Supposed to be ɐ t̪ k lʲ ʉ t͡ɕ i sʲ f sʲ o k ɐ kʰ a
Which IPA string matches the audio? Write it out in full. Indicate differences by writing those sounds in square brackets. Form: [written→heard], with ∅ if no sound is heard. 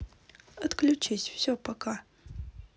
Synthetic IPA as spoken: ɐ t̪ k lʲ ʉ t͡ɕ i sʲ f sʲ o [k→p] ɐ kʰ a